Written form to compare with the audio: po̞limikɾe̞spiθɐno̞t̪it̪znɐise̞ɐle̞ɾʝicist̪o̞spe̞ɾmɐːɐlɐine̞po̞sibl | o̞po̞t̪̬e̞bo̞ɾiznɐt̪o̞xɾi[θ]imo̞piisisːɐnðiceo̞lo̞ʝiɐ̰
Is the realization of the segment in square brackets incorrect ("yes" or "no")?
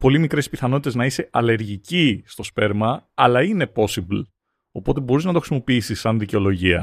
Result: yes